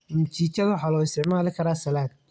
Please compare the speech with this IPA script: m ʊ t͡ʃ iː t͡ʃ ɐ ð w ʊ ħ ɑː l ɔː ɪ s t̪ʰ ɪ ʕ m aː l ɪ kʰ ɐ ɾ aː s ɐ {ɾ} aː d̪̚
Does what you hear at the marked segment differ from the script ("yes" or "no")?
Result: yes